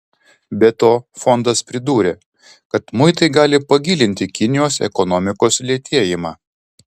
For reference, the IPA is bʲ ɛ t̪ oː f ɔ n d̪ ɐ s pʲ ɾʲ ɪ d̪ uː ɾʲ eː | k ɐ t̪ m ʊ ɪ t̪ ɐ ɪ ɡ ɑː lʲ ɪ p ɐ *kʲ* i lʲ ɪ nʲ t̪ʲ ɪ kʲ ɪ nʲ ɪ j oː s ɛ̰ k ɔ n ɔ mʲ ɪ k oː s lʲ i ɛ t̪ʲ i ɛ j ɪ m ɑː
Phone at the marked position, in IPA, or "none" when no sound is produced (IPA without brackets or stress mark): ɡʲ